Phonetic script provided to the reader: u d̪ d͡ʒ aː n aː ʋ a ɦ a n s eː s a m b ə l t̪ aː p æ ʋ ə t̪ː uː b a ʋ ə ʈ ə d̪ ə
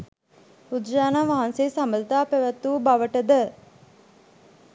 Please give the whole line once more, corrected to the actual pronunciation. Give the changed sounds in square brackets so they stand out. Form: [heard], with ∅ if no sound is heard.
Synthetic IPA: u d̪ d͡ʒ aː n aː ʋ a ɦ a n s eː s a m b ə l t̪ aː p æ ʋ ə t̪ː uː b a ʋ ə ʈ ə d̪ ə